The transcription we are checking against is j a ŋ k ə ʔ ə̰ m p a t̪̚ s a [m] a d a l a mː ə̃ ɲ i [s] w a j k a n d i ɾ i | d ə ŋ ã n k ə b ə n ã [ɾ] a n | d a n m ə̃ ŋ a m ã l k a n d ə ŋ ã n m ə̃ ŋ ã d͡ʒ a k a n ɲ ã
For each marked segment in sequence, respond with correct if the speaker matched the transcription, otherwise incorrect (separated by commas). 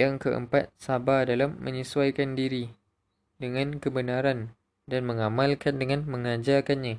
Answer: incorrect, correct, correct